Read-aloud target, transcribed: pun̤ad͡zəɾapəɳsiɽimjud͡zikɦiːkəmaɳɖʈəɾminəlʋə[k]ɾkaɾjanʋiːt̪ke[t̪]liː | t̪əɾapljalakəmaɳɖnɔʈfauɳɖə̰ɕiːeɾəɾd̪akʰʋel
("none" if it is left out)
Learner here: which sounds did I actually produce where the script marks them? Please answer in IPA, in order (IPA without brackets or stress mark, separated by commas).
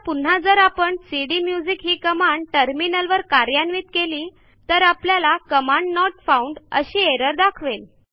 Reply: none, none